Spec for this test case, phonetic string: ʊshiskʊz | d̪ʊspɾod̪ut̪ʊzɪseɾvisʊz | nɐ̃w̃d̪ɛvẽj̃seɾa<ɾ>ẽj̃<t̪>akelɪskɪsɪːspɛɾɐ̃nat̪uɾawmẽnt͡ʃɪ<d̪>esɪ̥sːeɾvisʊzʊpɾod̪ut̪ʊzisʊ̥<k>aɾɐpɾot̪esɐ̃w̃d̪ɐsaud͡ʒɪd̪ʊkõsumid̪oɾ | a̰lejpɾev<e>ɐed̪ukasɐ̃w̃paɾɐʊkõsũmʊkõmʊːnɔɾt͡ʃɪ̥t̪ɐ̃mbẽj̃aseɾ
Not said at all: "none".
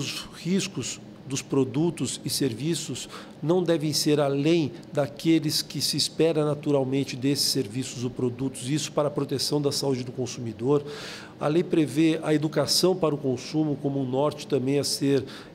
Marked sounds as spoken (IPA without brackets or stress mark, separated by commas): l, d̪, d̪, p, e